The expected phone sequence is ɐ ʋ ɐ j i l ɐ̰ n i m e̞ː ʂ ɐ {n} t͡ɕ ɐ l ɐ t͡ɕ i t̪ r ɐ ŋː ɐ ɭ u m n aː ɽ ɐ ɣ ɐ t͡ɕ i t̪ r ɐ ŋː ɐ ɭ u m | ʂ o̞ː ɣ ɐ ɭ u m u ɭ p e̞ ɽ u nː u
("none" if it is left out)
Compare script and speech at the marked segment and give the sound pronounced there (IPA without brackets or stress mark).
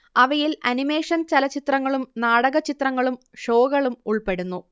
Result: n